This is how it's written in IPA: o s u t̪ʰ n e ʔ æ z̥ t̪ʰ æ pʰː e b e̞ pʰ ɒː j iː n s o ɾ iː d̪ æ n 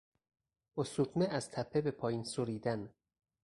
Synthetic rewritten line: o s u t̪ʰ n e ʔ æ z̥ t̪ʰ æ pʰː e b e̞ pʰ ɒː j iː n s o ɾ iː d̪ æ n